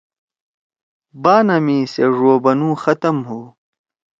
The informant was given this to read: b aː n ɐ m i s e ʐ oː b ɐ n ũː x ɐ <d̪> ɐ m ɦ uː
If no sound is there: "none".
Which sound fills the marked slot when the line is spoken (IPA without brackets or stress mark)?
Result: t̪